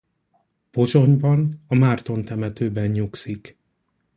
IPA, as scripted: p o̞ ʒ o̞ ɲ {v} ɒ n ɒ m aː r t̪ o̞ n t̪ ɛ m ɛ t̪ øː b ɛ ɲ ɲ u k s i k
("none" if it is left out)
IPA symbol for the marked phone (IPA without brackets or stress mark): b